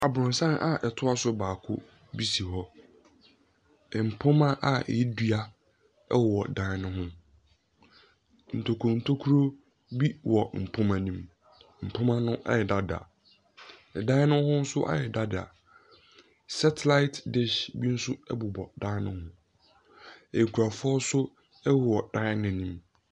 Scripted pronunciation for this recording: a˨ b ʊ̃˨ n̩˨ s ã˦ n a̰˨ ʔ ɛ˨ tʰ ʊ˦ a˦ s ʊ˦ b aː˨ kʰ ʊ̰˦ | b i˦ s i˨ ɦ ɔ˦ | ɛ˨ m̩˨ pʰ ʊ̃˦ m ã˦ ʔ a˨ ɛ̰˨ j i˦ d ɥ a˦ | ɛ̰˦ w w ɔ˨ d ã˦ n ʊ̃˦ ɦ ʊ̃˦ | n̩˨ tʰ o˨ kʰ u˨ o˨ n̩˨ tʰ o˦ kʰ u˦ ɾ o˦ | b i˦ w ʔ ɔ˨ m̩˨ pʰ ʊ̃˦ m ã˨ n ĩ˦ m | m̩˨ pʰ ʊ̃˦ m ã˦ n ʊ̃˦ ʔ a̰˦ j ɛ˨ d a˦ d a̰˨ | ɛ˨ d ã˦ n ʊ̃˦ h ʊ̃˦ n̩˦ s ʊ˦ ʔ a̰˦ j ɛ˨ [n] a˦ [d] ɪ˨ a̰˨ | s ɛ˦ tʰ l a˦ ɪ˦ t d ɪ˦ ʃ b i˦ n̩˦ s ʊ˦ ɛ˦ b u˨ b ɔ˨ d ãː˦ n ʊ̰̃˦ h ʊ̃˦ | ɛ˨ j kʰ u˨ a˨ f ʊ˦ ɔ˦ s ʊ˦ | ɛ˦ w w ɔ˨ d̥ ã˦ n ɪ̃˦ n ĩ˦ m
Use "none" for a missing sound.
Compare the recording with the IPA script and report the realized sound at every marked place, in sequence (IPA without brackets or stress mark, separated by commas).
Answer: d, d